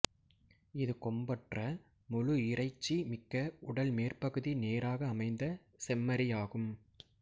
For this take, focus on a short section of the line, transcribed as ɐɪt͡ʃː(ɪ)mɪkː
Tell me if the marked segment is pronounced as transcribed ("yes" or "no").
no